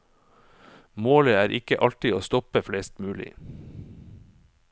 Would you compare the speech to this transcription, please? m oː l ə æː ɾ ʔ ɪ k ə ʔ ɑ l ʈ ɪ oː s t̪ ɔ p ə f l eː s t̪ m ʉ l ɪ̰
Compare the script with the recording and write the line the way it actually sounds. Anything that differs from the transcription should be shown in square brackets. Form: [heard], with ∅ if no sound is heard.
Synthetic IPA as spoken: m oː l ə æː ɾ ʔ ɪ k ə ʔ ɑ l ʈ ɪ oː s t̪ ɔ p ə f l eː s t̪ m [ʉː] l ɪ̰